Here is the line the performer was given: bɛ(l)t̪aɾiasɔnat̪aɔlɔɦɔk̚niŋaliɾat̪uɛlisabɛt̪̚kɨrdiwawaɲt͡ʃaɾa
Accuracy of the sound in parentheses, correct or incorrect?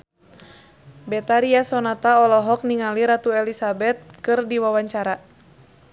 incorrect